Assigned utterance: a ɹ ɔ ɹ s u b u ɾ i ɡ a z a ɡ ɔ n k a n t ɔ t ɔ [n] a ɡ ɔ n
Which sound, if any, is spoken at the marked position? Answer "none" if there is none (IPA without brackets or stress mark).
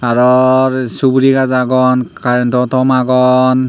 m